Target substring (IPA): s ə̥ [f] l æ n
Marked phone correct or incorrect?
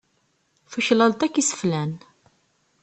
correct